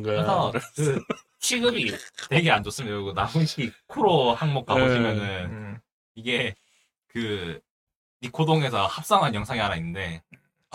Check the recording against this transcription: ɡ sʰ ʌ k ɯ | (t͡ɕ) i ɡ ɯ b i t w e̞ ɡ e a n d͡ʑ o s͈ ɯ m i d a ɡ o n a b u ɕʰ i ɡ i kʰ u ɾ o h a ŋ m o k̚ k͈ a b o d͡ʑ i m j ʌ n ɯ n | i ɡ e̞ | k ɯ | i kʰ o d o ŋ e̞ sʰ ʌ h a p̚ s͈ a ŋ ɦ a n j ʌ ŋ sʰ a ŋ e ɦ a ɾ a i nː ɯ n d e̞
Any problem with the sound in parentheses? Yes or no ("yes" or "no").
yes